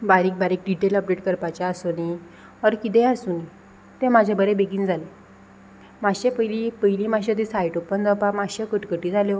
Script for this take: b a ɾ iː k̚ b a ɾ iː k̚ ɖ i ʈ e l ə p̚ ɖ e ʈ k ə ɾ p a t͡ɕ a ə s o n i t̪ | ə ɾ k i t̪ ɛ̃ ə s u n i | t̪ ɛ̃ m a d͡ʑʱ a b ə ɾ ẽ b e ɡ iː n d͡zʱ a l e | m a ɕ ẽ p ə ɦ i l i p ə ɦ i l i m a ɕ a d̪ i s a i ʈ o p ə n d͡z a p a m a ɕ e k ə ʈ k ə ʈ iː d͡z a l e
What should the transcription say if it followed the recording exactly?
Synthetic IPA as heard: b a ɾ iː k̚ b a ɾ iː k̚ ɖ i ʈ e l ə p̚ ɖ e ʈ k ə ɾ p a t͡ɕ a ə s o n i | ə ɾ k i t̪ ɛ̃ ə s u n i | t̪ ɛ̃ m a d͡ʑʱ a b ə ɾ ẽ b e ɡ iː n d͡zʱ a l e | m a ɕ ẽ p ə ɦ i l i p ə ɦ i l i m a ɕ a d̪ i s a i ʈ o p ə n d͡z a p a m a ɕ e k ə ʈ k ə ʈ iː d͡z a l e